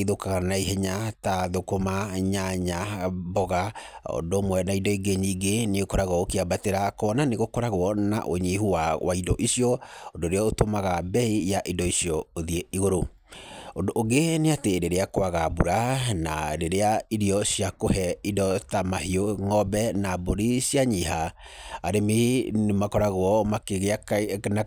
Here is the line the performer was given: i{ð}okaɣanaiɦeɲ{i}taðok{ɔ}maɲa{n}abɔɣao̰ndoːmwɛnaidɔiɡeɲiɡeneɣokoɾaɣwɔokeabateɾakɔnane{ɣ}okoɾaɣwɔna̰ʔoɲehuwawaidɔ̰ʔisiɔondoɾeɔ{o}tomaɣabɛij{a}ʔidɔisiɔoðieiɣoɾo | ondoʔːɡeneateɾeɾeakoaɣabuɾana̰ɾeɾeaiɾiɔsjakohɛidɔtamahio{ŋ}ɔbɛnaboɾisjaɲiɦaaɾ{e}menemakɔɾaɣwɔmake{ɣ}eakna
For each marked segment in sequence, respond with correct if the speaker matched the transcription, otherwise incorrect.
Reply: correct, incorrect, incorrect, incorrect, correct, correct, correct, correct, correct, correct

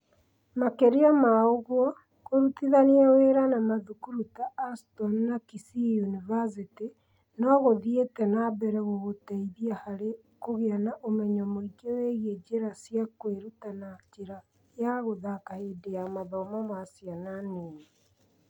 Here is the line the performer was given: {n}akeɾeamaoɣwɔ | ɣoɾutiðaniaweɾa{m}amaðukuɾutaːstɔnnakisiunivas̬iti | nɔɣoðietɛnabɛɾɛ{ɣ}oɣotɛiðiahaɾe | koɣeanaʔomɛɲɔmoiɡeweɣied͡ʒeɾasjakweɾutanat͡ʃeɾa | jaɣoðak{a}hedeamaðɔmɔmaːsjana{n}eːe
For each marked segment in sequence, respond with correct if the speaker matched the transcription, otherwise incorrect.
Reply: incorrect, incorrect, correct, correct, correct

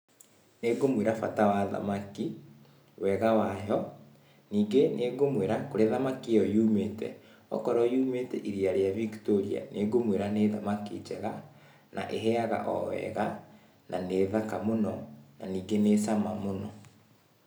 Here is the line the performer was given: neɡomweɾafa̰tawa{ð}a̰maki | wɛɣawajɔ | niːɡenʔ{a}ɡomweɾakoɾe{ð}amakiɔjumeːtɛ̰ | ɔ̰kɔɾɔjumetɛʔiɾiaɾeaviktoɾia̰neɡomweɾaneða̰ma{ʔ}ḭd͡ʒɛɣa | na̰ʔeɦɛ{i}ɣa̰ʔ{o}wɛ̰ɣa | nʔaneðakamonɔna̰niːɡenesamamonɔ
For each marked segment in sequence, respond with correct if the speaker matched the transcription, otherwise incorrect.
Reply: correct, incorrect, correct, incorrect, incorrect, incorrect

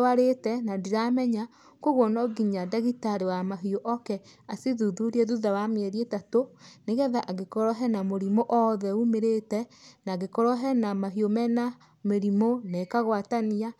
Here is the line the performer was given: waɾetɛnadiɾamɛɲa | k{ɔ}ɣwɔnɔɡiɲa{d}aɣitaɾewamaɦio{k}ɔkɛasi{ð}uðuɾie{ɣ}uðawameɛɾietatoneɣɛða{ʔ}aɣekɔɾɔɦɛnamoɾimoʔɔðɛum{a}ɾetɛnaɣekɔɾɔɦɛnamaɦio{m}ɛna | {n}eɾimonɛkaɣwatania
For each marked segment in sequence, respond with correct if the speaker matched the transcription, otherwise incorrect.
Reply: incorrect, correct, incorrect, correct, incorrect, correct, incorrect, correct, incorrect

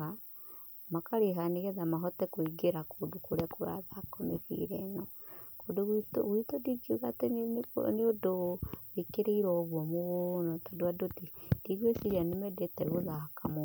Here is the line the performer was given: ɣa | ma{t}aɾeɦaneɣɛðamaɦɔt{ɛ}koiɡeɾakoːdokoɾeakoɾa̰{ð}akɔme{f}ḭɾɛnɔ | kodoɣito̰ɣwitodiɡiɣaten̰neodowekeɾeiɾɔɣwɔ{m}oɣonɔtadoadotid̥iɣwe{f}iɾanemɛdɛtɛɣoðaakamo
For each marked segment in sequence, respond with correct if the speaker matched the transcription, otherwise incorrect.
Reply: incorrect, correct, correct, correct, correct, incorrect

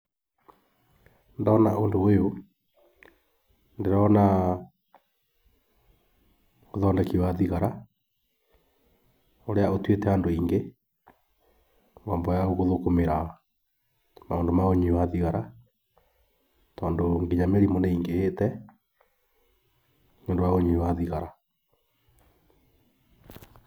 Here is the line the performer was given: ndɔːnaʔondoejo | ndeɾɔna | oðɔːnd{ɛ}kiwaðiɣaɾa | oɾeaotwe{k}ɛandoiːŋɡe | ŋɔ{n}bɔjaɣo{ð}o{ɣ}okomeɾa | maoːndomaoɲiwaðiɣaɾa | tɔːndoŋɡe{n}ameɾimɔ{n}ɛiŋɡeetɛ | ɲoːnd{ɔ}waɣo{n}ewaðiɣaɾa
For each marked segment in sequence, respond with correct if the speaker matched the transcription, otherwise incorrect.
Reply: correct, incorrect, incorrect, incorrect, incorrect, incorrect, correct, incorrect, incorrect

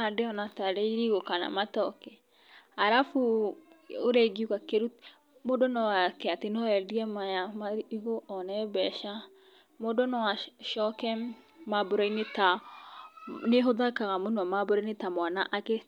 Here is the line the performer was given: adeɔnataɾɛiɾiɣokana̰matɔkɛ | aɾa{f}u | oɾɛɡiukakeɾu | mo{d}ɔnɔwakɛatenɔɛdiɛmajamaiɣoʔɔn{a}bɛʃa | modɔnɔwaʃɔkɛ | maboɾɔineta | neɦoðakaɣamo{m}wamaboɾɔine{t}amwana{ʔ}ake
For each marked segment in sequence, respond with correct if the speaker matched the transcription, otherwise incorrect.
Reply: correct, correct, incorrect, incorrect, correct, correct

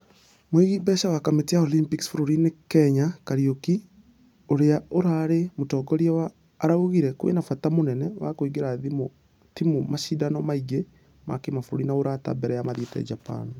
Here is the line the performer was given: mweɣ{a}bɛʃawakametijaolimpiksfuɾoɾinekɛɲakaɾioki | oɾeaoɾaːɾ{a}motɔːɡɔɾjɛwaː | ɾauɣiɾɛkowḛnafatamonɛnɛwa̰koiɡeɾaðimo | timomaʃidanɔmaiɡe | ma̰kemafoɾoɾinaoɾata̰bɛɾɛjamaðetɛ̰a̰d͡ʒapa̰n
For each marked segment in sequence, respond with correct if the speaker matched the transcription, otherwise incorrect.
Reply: incorrect, incorrect

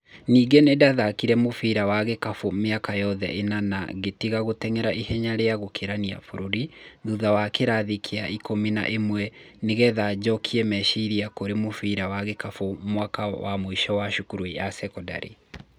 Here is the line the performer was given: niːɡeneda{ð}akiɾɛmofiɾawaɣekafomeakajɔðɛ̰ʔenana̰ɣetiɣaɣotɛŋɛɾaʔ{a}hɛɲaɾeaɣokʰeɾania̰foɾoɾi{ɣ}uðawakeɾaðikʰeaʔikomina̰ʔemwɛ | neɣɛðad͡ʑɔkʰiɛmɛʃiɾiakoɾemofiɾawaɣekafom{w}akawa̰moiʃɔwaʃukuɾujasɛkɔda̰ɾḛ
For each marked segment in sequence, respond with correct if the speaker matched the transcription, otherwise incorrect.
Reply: correct, incorrect, incorrect, correct

